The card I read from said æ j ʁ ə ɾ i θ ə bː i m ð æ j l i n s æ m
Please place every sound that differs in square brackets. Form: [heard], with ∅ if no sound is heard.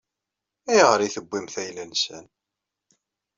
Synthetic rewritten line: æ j ʁ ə ɾ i θ ə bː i m [θ] æ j l [æ] n s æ [n]